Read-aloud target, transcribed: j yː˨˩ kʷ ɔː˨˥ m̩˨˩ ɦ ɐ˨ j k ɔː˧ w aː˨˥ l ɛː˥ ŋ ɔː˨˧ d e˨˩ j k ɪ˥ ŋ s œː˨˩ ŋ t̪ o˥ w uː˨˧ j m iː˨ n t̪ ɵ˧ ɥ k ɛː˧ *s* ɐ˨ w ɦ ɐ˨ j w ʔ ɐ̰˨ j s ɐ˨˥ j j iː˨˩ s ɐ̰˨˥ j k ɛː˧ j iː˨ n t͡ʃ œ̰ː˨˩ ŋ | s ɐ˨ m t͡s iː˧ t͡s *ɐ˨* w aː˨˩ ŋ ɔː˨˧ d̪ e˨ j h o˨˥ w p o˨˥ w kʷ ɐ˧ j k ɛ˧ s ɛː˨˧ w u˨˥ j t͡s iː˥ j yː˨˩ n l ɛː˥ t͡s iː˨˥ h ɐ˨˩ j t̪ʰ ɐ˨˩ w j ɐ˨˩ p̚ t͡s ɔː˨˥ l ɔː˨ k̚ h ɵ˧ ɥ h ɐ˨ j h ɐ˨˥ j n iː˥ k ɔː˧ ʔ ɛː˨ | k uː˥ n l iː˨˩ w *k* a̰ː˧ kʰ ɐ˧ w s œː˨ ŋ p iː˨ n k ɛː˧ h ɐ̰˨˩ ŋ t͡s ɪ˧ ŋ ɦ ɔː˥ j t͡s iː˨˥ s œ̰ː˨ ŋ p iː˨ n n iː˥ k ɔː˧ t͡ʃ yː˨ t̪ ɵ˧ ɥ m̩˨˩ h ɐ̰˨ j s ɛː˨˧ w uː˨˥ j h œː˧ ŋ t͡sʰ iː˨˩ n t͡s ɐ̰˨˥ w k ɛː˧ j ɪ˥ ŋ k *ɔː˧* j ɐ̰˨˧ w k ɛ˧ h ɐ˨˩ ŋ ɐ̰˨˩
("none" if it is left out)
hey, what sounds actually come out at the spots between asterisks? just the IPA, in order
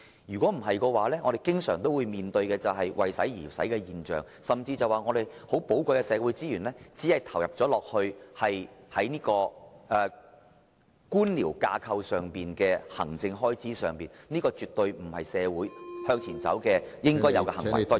t͡s, ɐ˨, k, ɔː˥

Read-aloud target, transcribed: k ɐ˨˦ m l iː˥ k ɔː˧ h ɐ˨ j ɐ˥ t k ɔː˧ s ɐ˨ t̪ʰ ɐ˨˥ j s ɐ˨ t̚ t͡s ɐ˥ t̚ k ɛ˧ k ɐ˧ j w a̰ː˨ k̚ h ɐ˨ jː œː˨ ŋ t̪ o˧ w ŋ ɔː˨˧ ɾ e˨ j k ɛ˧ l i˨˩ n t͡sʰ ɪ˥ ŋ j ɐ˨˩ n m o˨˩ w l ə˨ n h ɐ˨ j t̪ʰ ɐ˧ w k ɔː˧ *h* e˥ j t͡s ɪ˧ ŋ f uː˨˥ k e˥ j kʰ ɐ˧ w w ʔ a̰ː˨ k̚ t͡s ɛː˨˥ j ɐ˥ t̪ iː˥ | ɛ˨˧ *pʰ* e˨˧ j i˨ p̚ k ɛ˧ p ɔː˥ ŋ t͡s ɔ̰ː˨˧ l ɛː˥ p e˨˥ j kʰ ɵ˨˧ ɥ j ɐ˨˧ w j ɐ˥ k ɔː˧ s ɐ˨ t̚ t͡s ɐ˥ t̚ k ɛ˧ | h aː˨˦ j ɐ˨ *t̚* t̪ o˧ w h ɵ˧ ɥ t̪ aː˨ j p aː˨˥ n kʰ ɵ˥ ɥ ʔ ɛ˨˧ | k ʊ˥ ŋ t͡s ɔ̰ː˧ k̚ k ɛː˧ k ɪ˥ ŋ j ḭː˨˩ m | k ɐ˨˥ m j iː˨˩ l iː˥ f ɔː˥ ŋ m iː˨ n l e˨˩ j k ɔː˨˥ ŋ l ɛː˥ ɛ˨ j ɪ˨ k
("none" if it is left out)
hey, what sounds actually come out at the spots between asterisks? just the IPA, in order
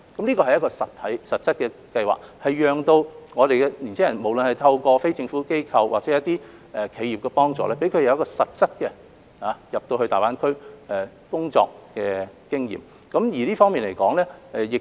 f, kʰ, p̚

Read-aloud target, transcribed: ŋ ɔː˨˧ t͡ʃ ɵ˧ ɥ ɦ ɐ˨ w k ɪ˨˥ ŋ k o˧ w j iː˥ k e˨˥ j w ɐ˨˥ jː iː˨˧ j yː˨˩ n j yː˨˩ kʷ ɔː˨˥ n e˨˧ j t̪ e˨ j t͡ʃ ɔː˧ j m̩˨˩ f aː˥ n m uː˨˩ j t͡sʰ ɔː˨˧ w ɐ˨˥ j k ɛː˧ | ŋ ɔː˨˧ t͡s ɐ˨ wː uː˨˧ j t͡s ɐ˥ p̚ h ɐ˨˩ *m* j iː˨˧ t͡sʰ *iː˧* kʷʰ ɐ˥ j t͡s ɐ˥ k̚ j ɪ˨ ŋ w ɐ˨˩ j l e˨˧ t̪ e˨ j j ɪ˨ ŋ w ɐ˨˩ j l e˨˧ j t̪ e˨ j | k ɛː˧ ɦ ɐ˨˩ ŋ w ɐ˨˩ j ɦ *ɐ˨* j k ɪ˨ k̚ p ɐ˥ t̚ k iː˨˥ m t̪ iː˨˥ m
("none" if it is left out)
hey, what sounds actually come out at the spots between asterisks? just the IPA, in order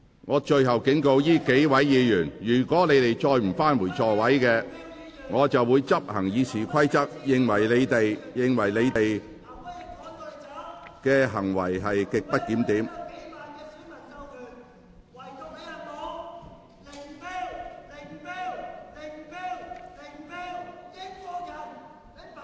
ŋ, iː˨˩, ɐ˨

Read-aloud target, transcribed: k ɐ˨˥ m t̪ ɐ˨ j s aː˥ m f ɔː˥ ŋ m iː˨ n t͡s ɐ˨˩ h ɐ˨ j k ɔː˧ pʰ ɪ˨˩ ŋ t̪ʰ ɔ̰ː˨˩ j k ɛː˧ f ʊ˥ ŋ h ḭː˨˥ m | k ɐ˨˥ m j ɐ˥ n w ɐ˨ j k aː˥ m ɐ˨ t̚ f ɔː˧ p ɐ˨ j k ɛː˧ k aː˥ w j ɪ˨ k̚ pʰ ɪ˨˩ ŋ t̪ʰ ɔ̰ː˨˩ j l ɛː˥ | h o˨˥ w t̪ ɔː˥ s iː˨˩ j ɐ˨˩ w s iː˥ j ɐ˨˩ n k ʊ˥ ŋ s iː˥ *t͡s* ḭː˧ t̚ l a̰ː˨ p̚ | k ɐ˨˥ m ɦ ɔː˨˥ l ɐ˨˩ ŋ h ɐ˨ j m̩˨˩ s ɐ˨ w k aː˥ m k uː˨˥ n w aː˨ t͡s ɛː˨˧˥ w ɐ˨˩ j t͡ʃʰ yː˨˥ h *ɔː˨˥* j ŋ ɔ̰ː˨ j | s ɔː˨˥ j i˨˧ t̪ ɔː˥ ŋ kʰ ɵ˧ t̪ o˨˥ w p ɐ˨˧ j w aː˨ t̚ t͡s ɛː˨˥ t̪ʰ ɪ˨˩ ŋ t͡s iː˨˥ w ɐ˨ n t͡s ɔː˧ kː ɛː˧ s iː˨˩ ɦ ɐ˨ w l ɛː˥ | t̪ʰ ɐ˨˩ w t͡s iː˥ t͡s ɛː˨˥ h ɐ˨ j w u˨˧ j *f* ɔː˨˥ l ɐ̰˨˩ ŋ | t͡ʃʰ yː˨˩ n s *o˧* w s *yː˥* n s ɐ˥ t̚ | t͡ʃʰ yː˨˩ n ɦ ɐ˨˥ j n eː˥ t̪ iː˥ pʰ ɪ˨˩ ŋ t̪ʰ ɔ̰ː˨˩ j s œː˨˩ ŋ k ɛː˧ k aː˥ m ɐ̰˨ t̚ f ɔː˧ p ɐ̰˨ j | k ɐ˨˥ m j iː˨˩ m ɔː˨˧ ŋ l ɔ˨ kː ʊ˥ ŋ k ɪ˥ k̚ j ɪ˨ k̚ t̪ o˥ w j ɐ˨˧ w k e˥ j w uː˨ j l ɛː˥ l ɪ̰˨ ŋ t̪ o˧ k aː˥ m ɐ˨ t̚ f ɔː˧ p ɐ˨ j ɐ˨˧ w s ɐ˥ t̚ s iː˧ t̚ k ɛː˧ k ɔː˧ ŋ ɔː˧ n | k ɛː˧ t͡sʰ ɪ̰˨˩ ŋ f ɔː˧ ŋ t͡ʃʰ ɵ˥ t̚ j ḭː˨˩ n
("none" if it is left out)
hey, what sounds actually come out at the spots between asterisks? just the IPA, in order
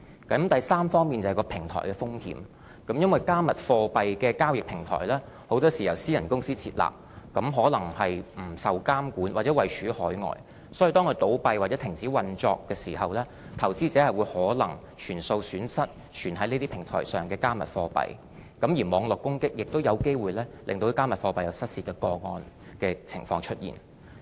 t͡sʰ, ɔː˨˥, h, o˧, yː˨˥

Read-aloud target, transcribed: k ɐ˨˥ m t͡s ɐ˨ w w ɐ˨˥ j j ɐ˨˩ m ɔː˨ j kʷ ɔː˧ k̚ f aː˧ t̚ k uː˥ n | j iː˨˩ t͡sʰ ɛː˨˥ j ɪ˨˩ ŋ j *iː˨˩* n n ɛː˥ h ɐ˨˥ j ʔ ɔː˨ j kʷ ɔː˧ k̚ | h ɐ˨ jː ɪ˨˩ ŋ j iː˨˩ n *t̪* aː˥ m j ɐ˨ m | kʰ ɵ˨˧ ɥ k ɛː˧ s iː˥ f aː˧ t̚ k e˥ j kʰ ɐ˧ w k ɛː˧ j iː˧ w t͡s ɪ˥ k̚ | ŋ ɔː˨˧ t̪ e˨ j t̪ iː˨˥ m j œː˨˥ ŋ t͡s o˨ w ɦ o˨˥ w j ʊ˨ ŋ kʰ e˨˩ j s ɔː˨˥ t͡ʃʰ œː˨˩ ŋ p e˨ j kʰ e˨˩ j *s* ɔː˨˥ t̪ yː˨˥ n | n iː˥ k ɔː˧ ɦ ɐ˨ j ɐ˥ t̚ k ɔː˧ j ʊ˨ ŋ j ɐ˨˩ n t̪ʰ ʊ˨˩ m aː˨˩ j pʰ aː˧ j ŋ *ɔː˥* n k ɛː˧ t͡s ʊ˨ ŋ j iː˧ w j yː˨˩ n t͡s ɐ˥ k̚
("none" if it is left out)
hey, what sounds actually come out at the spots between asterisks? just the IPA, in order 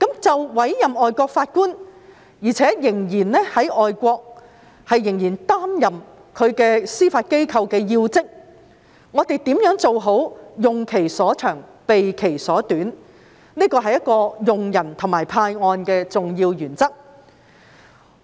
iː˨˩, t̪, s, ɔː˧

